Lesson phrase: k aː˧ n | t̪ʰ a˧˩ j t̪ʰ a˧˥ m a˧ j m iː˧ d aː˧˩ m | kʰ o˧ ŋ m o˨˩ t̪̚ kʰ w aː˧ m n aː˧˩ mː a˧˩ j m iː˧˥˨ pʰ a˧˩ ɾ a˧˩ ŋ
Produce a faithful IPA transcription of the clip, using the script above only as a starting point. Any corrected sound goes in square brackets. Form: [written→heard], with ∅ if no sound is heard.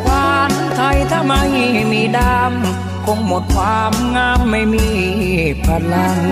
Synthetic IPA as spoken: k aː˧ n | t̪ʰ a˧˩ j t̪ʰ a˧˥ m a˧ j m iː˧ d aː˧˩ m | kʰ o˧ ŋ m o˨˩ t̪̚ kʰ w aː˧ m [n→ŋ] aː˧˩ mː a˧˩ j m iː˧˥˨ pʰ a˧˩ [ɾ→l] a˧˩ ŋ